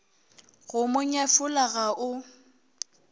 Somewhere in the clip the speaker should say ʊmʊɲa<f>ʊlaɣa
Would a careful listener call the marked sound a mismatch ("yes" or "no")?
no